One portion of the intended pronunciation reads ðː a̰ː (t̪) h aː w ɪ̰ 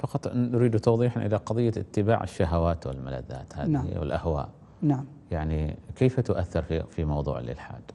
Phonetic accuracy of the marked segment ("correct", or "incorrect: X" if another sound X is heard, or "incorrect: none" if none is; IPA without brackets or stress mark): correct